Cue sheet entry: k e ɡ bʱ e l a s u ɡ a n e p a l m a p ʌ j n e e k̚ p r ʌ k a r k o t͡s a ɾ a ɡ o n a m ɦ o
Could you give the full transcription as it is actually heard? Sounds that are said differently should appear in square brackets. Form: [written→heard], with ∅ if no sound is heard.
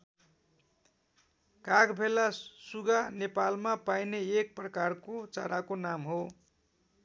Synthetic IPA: k [e→a] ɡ bʱ e l a s u ɡ a n e p a l m a p [ʌ→a] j n e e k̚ p r ʌ k a r k o t͡s a ɾ a [ɡ→k] o n a m ɦ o